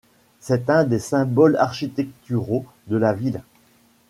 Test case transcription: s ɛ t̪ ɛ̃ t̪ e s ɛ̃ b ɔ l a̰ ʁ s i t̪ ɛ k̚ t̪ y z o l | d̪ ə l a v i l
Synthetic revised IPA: s ɛ t̪ ɛ̃ d̪ e s ɛ̃ b ɔ l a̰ ʁ ʃ i t̪ ɛ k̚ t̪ y ʁ o | d̪ ə l a v i l